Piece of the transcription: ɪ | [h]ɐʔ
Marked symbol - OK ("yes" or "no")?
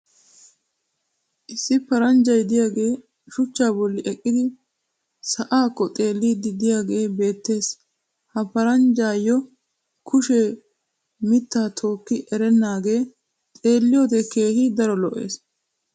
no